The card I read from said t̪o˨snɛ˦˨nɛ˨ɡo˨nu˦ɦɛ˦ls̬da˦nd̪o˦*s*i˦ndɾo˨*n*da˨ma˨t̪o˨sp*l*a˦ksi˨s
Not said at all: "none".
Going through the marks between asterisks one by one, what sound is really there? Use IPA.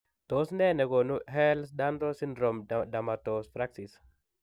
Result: s, m, ɾ

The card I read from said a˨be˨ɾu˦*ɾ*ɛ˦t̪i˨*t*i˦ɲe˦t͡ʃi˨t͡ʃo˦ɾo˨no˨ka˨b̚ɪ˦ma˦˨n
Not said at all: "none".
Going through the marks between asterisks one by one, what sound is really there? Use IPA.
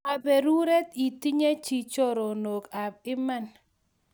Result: ɾ, t

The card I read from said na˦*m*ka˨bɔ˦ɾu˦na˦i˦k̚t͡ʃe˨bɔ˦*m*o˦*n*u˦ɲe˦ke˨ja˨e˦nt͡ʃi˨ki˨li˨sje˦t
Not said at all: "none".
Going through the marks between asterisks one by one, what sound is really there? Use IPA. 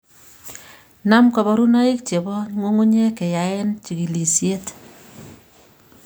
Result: m, ŋ, ŋ

